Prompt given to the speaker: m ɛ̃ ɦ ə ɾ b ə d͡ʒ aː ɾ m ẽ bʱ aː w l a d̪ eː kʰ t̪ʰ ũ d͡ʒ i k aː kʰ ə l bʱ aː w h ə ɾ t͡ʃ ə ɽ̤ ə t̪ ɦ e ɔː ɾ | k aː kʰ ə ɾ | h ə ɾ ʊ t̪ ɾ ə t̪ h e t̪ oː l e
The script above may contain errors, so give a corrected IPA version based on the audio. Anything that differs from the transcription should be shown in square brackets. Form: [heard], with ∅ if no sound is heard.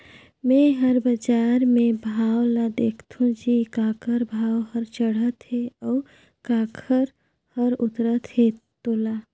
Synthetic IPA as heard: m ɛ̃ ɦ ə ɾ b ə d͡ʒ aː ɾ m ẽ bʱ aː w l a d̪ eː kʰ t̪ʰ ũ d͡ʒ i k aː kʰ ə [ɾ] bʱ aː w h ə ɾ t͡ʃ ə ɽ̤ ə t̪ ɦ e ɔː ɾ | k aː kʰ ə ɾ | h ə ɾ ʊ t̪ ɾ ə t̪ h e t̪ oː l [a]